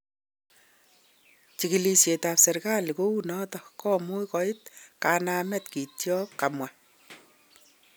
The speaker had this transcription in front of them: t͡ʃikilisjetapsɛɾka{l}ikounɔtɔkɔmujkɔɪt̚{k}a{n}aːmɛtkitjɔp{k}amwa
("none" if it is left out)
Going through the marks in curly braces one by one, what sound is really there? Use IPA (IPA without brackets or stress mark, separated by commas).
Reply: l, k, n, k